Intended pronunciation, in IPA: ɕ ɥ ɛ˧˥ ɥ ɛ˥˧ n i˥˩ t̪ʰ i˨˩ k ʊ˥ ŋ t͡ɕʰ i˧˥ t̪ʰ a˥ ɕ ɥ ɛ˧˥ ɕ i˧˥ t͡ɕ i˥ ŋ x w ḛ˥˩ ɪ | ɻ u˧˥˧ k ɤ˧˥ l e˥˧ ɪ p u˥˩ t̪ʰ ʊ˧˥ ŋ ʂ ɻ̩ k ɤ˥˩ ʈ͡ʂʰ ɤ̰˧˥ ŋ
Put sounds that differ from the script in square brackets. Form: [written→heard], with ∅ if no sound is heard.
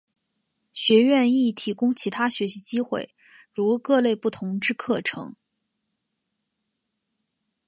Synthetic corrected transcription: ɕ ɥ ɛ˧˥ ɥ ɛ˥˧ n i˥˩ t̪ʰ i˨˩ k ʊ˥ ŋ t͡ɕʰ i˧˥ t̪ʰ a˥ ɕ ɥ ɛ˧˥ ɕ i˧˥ t͡ɕ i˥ [ŋ→∅] x w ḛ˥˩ ɪ | ɻ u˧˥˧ k [ɤ˧˥→ɤ˥˧] l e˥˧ ɪ p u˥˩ t̪ʰ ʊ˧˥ ŋ [ʂ→ʈ͡ʂ] ɻ̩ [k→kʰ] ɤ˥˩ ʈ͡ʂʰ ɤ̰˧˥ ŋ